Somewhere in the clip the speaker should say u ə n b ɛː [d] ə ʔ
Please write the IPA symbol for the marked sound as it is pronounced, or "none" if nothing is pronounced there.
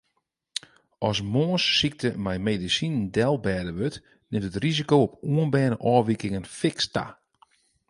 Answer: n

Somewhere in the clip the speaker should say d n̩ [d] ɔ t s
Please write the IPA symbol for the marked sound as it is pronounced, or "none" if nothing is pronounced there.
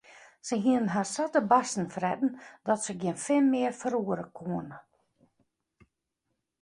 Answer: d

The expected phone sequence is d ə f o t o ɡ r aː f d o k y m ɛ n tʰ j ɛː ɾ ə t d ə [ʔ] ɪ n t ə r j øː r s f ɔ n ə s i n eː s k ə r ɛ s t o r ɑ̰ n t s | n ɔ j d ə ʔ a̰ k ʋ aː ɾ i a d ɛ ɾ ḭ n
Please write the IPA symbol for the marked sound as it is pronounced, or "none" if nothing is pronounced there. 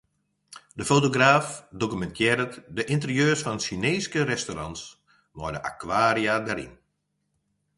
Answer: ʔ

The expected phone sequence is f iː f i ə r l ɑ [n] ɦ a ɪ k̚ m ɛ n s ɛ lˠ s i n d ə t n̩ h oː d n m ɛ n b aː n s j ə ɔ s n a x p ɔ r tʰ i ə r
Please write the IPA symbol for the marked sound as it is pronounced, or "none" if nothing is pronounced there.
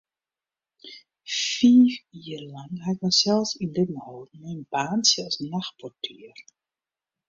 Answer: ŋ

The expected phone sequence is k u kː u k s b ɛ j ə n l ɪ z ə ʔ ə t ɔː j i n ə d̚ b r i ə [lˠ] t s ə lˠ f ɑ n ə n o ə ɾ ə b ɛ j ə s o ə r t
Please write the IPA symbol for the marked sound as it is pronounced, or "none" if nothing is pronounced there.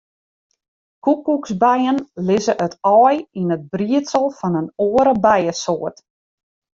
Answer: none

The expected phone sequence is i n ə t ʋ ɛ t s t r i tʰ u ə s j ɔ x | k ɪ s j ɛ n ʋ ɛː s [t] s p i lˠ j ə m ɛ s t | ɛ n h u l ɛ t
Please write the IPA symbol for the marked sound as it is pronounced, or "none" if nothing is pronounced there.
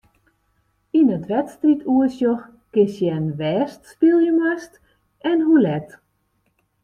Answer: t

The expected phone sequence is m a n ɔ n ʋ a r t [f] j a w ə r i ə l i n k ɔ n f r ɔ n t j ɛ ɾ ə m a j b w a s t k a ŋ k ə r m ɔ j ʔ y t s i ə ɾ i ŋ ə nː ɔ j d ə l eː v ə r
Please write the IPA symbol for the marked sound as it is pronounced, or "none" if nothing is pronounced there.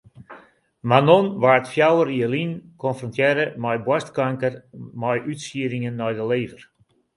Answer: f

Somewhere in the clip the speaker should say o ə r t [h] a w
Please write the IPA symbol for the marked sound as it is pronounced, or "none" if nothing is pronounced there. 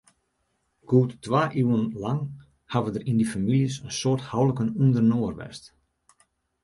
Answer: h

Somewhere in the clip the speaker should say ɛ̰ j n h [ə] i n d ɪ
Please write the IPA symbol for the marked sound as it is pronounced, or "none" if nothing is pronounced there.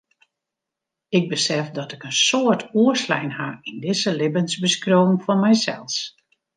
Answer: a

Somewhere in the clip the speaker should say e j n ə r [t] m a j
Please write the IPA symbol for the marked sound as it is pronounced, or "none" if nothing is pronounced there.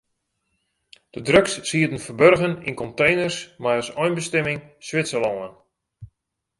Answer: s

